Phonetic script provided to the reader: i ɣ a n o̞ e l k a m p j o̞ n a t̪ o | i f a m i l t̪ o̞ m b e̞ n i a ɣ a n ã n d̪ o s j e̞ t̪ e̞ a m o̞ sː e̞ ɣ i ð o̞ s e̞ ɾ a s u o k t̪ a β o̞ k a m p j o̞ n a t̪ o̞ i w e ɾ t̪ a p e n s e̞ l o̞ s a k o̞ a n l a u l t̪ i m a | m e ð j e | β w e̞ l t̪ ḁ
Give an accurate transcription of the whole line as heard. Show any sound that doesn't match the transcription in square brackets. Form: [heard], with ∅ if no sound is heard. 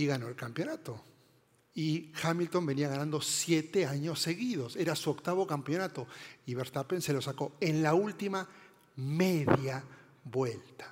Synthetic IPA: i ɣ a n o̞ e l k a m p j o̞ n a t̪ o | i [x] a m i l t̪ o̞ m b e̞ n i a ɣ a n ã n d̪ o s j e̞ t̪ e̞ a [ɲ] o̞ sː e̞ ɣ i ð o̞ s e̞ ɾ a s u o k t̪ a β o̞ k a m p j o̞ n a t̪ o̞ i [β] e ɾ t̪ a p e n s e̞ l o̞ s a k o̞ [e] n l a u l t̪ i m a | m e ð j [a] | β w e̞ l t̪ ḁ